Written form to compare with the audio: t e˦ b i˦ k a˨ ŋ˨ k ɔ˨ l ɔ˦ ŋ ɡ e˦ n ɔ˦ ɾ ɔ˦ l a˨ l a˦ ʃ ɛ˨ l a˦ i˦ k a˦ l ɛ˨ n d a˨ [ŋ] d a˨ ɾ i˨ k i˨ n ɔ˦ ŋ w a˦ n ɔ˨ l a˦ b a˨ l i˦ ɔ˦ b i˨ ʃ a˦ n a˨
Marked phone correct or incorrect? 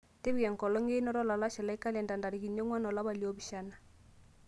incorrect